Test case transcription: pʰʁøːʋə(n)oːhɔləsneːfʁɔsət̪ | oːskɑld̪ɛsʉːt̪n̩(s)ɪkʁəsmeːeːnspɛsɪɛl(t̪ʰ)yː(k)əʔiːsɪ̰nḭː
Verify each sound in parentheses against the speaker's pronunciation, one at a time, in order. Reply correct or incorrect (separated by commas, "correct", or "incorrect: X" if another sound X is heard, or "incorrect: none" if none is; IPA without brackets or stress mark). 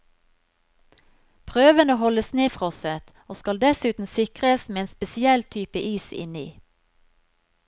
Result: correct, correct, correct, incorrect: p